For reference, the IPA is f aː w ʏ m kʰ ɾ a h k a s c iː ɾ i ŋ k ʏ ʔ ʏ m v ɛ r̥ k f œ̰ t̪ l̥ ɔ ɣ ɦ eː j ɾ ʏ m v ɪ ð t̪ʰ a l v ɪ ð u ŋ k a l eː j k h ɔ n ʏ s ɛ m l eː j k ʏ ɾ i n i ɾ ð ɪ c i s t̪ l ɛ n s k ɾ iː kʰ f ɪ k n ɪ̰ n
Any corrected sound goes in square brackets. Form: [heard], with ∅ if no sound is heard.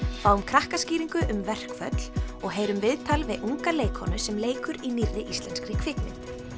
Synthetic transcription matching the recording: f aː w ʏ m kʰ ɾ a h k a s c iː ɾ i ŋ k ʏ ʔ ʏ m v ɛ r̥ k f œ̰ t̪ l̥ ɔ ɣ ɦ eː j ɾ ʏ m v ɪ ð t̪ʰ a l v ɪ ð u ŋ k a l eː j k h ɔ n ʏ s ɛ m l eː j k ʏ ɾ i n i ɾ ð ɪ [ʔ] i s t̪ l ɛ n s k ɾ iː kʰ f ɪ k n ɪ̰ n